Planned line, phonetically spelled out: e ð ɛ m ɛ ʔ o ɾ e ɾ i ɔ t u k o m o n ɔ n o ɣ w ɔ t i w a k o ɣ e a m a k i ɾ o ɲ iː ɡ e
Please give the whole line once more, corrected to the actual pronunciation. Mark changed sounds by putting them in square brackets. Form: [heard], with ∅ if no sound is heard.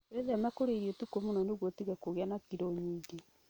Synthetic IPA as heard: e ð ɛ m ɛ [k] o ɾ e ɾ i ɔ t u k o m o n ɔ n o ɣ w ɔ t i [ɣ] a k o ɣ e a [n] a k i ɾ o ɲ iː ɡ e